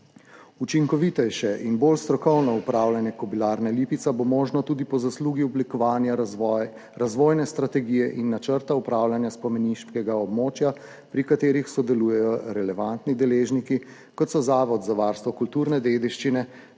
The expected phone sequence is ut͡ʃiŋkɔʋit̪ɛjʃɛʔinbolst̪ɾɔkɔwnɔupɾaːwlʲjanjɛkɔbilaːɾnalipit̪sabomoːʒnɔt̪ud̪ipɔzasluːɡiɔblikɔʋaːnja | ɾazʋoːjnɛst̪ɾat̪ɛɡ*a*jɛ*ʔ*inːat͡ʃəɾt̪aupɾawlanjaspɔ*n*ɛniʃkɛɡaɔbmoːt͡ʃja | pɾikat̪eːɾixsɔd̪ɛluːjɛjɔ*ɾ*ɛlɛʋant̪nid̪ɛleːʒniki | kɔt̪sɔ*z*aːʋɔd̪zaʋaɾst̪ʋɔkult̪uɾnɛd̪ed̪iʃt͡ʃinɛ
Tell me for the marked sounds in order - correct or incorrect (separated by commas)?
incorrect, correct, incorrect, correct, correct